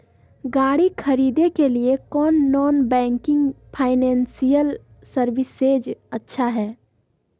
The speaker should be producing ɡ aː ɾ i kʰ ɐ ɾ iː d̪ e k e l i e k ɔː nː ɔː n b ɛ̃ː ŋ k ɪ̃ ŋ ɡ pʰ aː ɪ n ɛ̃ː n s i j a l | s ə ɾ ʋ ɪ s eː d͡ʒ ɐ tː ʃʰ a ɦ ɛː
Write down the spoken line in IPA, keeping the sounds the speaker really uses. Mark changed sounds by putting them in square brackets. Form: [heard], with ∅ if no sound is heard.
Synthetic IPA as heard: ɡ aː [ɽ] i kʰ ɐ ɾ iː d̪ e k e l i e k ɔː nː ɔː n b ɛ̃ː ŋ k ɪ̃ ŋ ɡ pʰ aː ɪ n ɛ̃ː n s i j [ə] l | s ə ɾ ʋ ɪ s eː d͡ʒ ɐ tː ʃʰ a ɦ ɛː